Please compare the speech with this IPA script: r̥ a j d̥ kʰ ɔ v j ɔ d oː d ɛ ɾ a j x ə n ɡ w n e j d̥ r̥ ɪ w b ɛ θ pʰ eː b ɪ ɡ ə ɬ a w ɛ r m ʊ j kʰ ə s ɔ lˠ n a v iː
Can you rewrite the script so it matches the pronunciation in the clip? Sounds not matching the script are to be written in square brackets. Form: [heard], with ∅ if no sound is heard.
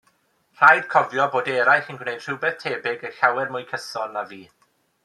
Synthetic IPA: r̥ a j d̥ kʰ ɔ v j ɔ [b] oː d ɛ ɾ a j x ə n ɡ w n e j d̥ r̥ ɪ w b ɛ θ [tʰ] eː b ɪ ɡ ə ɬ a w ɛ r m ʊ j kʰ ə s ɔ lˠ n a v iː